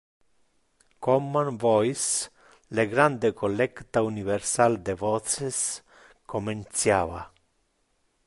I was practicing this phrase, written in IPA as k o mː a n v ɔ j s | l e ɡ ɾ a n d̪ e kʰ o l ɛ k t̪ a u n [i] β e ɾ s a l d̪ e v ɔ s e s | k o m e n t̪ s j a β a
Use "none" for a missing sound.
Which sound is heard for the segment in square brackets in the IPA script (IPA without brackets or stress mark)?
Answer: i